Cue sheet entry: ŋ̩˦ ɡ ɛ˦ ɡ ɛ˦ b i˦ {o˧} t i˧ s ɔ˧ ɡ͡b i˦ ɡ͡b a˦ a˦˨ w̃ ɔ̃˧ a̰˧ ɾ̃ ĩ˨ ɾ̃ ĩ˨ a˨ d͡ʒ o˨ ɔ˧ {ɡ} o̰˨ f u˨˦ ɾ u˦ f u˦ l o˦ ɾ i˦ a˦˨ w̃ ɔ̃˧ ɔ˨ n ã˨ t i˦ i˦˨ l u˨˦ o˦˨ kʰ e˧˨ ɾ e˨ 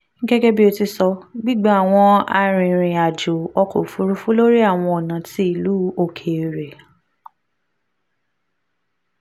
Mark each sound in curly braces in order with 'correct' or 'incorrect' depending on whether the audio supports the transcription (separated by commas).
correct, incorrect